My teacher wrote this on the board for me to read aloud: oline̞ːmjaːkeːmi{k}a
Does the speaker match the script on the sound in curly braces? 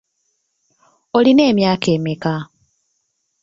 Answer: yes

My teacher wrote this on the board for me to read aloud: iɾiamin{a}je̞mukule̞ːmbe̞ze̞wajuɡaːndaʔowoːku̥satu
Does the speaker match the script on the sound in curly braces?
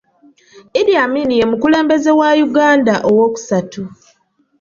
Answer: no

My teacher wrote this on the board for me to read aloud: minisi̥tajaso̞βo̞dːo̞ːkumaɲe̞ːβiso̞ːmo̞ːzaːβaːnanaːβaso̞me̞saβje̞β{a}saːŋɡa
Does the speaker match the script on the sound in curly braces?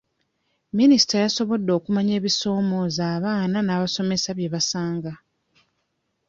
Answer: yes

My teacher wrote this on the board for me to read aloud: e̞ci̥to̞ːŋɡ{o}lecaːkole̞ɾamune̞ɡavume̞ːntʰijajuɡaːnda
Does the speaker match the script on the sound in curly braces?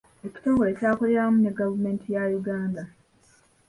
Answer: yes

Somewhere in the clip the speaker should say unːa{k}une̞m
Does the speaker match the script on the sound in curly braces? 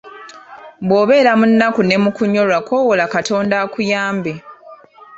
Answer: yes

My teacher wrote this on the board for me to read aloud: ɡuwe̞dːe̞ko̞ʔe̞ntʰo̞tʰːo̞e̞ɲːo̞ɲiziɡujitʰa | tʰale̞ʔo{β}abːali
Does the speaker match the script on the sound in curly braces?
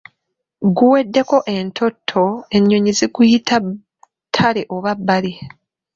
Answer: yes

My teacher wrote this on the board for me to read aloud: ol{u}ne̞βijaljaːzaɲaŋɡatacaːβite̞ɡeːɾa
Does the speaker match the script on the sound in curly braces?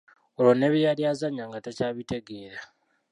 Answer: no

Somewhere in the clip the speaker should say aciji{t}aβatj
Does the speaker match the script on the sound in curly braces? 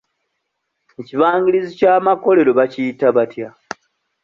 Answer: yes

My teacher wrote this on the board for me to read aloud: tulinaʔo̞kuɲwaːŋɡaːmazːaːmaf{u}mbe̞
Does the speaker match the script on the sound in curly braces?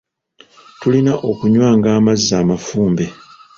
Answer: no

